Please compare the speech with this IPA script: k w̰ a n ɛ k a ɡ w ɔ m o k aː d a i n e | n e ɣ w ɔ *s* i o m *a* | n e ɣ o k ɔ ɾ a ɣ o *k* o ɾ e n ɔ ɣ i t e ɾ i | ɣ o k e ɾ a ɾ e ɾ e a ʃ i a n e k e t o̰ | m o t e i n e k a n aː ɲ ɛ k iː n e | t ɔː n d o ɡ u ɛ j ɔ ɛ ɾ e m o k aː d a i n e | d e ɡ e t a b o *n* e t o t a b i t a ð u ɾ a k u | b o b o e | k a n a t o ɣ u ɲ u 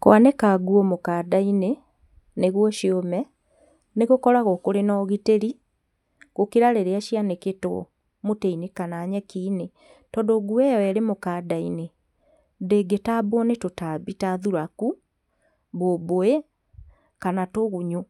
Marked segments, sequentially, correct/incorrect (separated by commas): incorrect, incorrect, correct, correct